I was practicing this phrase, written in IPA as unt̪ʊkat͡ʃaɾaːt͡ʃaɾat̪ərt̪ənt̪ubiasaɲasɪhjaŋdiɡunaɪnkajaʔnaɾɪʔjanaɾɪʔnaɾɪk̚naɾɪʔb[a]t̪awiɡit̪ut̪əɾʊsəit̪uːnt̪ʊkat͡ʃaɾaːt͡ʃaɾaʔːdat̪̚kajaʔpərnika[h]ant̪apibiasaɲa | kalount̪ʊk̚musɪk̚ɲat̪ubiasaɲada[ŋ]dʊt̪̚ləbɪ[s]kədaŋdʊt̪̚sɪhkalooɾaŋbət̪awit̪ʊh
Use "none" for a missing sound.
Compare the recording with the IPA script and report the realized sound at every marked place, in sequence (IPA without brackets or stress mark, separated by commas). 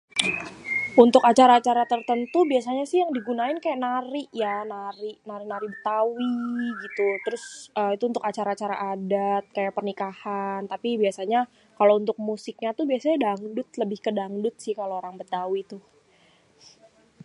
ə, h, ŋ, h